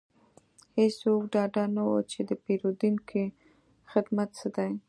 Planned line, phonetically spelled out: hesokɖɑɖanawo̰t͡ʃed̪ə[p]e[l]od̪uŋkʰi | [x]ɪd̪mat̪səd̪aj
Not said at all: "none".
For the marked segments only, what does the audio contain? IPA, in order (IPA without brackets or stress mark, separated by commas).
p, ɾ, x